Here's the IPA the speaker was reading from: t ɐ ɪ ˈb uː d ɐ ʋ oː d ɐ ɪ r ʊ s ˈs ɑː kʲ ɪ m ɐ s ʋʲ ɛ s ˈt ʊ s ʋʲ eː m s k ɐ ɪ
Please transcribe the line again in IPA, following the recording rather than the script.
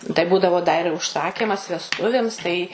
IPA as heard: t ɐ ɪ ˈb uː d ɐ ʋ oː d ɐ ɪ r ʊ ʃ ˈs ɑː kʲ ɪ m ɐ s ʋʲ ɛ s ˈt ʊ ʋʲ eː m s t ɐ ɪ